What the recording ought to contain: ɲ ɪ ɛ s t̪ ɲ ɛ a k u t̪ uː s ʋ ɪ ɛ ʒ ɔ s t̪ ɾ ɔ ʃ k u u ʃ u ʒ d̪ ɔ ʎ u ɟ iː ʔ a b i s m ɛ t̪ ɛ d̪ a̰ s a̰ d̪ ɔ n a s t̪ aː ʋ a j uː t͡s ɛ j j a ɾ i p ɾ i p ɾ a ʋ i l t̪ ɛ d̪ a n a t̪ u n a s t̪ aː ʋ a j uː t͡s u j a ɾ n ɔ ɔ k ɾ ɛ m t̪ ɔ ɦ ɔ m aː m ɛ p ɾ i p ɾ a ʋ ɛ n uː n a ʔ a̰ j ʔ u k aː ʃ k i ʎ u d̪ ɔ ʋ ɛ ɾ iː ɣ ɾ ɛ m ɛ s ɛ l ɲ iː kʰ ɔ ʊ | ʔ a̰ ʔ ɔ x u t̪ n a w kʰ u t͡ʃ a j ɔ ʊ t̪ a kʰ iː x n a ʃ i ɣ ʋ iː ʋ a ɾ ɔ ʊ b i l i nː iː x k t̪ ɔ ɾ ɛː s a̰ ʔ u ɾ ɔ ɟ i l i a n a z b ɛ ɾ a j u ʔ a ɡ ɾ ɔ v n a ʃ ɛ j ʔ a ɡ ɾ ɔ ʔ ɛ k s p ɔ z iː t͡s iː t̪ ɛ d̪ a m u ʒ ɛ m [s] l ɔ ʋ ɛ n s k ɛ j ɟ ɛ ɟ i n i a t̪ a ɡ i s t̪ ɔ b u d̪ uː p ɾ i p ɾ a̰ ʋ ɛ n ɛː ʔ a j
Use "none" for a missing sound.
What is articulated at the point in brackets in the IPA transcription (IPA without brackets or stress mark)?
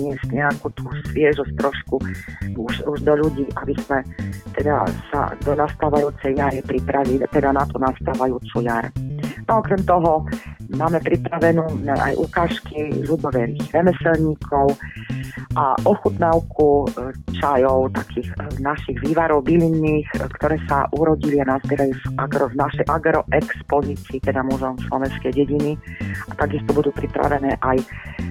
s